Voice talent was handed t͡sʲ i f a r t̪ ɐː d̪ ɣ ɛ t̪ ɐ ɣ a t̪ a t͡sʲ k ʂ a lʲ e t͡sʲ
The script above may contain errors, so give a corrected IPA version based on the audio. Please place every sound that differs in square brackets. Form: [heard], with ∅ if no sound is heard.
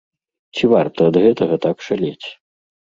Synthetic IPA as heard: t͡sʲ i [v] a r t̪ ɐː d̪ ɣ ɛ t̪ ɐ ɣ [ɐ] t̪ a [∅] k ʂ a lʲ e t͡sʲ